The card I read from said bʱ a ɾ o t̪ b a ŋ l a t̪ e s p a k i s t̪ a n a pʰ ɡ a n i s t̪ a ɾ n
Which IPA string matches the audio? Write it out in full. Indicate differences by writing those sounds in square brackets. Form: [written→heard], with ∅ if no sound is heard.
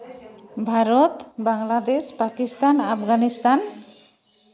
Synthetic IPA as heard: bʱ a ɾ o t̪ b a ŋ l a [t̪→d̪] e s p a k i s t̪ a n a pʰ ɡ a n i s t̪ a [ɾ→∅] n